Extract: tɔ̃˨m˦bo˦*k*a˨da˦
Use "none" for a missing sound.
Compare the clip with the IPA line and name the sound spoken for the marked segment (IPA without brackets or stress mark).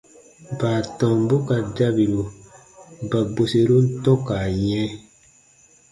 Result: k